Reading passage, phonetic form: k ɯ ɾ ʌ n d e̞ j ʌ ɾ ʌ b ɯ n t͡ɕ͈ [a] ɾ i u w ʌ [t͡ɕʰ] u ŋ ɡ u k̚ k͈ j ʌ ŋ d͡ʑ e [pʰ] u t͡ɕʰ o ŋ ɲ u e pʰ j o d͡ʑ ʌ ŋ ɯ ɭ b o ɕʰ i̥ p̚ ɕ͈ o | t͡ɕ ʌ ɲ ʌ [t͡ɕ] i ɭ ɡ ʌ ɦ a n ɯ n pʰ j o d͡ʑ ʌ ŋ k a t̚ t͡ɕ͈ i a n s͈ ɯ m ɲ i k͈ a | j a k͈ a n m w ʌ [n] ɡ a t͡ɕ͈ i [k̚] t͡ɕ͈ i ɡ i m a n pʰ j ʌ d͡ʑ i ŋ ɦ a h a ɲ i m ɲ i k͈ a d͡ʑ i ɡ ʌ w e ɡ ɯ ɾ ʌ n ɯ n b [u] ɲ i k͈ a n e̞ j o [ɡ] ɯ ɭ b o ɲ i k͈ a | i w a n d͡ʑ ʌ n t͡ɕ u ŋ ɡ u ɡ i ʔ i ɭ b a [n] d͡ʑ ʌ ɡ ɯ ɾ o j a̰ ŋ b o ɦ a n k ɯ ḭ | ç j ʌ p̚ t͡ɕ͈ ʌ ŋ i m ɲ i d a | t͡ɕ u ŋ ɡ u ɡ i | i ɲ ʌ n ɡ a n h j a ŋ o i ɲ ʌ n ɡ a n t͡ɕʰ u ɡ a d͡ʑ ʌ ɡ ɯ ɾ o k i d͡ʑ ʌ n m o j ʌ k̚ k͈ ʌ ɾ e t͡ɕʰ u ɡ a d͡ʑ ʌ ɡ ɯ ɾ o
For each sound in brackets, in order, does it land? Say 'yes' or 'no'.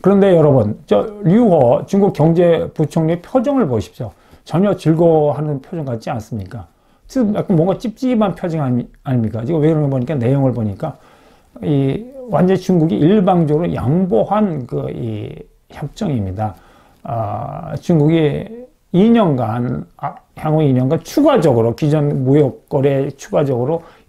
no, no, no, yes, no, no, no, no, no

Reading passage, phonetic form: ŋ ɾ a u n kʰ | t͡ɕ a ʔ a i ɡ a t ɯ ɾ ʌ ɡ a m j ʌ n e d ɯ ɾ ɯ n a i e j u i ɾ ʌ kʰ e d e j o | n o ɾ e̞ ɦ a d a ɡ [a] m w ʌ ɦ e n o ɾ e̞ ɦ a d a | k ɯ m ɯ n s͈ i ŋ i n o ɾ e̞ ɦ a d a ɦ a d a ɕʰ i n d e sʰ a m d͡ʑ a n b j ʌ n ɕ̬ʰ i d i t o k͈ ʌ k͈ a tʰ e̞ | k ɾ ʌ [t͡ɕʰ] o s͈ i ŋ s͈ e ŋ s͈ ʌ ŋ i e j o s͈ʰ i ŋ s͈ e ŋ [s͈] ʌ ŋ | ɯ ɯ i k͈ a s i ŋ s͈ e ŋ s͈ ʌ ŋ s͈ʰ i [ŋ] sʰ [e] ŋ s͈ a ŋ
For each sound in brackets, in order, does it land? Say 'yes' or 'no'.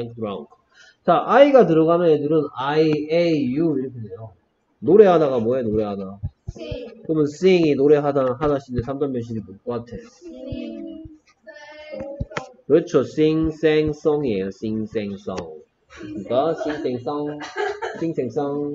yes, yes, yes, yes, yes

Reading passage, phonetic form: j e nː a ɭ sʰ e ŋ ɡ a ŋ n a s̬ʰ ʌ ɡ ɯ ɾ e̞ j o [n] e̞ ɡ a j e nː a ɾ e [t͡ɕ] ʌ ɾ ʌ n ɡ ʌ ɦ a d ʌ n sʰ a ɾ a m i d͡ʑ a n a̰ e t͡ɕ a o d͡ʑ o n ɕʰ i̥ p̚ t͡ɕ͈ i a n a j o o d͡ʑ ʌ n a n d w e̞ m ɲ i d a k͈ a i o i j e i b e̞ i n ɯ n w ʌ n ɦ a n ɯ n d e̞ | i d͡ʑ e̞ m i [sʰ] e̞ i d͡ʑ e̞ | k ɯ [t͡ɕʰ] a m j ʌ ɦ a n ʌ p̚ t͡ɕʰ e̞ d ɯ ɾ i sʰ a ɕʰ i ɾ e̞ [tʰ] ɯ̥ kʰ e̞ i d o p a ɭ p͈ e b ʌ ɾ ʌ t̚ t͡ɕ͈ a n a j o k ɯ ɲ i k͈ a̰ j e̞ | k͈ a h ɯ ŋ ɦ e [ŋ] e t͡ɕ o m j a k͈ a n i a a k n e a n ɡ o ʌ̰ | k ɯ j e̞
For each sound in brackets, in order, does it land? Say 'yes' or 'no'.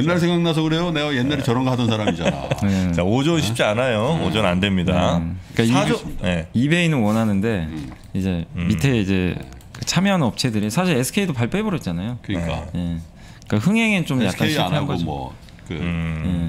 yes, yes, no, yes, no, yes

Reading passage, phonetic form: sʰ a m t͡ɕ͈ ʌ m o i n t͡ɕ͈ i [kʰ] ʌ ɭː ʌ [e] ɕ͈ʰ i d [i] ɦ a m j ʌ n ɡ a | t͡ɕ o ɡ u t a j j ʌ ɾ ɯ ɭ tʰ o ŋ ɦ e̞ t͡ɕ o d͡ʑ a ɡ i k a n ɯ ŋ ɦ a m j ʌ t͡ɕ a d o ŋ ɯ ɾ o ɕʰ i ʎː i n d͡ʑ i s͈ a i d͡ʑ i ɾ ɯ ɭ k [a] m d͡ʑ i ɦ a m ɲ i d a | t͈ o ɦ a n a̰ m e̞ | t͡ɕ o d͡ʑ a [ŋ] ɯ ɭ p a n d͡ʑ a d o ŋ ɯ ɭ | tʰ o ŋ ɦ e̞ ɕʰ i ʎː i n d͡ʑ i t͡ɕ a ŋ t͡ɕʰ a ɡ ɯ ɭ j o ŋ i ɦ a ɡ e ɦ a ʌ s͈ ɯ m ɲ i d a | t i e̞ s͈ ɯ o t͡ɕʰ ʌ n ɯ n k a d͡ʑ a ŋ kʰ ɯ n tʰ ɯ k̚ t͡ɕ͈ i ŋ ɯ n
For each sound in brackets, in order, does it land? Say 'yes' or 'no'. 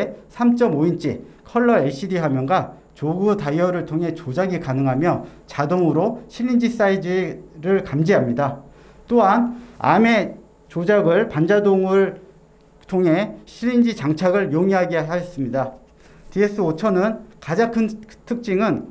yes, yes, yes, yes, no

